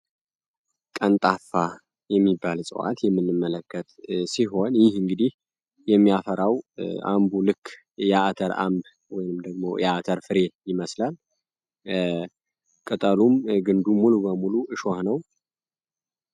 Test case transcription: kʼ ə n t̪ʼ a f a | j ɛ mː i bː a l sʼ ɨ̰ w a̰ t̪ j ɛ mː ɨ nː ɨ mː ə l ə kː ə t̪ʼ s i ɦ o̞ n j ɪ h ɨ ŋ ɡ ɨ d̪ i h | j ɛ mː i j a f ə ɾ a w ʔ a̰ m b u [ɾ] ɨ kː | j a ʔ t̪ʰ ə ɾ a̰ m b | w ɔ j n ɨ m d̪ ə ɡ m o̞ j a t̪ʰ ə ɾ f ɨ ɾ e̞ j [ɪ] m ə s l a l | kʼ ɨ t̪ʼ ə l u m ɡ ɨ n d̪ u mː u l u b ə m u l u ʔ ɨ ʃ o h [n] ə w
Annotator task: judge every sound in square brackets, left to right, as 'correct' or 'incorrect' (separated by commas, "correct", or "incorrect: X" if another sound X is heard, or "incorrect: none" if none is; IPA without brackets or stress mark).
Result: incorrect: l, correct, correct